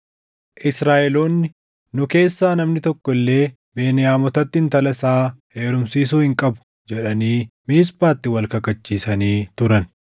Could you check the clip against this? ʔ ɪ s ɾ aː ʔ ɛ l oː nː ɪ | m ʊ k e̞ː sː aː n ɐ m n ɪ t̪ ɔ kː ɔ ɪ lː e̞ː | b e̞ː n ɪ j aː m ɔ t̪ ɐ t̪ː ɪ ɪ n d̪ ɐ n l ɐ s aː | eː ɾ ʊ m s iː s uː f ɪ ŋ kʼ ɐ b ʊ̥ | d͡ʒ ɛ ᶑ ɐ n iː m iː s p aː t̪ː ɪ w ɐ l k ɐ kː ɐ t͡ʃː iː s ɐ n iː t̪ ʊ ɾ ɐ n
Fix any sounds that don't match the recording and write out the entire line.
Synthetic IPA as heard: ʔ ɪ s ɾ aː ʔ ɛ l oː nː ɪ | n ʊ k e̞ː sː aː n ɐ m n ɪ t̪ ɔ kː ɔ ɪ lː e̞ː | b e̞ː n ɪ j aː m ɔ t̪ ɐ t̪ː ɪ ɪ n t̪ ɐ l ɐ s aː | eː ɾ ʊ m s iː s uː h ɪ ŋ kʼ ɐ b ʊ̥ | d͡ʒ ɛ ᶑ ɐ n iː m iː s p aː t̪ː ɪ w ɐ l k ɐ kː ɐ t͡ʃː iː s ɐ n iː t̪ ʊ ɾ ɐ n